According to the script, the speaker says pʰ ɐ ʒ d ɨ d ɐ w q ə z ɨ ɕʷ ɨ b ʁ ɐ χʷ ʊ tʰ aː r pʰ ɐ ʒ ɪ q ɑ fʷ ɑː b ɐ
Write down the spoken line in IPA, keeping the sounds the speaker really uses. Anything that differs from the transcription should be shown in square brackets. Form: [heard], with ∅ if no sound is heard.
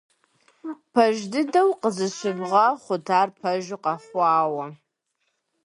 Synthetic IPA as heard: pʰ ɐ ʒ d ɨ d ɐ w q ə z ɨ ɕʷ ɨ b ʁ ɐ χʷ ʊ tʰ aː r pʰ ɐ ʒ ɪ q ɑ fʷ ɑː [w] ɐ